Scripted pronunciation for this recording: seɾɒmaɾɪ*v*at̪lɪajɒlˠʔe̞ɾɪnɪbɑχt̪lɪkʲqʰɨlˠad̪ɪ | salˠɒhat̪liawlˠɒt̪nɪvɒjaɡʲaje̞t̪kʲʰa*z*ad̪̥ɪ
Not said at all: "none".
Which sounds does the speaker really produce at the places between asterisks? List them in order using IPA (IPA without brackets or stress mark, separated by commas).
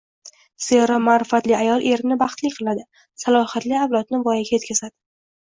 f, z